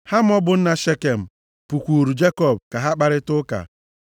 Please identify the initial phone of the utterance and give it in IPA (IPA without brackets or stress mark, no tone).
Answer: h